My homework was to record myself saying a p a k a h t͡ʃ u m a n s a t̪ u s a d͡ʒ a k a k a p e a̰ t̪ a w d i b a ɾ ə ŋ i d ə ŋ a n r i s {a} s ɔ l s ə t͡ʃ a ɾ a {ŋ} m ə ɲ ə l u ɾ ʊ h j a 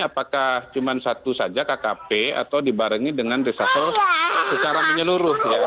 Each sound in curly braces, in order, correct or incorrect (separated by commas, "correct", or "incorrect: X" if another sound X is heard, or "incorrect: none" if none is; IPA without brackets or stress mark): correct, correct